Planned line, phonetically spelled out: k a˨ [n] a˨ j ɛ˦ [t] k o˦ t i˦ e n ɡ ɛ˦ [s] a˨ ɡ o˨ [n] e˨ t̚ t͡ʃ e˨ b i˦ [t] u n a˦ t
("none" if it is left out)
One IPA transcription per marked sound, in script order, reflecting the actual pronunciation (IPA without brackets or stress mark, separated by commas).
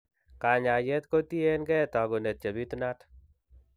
ɲ, t, t, n, t